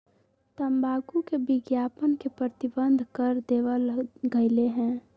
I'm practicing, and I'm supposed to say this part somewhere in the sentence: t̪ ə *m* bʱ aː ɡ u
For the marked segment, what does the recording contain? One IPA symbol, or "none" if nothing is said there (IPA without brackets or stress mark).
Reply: m